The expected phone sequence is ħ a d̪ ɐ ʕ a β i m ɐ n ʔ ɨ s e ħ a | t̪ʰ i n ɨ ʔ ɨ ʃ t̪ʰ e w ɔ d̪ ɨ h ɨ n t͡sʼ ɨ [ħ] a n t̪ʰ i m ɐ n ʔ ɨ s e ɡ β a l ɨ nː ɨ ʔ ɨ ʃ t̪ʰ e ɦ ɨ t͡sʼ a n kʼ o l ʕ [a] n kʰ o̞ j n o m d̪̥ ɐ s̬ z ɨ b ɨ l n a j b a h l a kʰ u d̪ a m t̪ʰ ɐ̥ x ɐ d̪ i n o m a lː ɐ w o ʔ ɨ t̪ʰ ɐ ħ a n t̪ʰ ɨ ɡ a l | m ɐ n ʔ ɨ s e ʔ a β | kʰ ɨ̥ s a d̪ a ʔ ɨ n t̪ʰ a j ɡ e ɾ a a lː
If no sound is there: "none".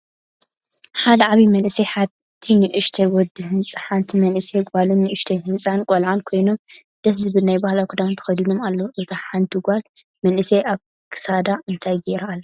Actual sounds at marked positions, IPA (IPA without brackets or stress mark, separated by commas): ħ, a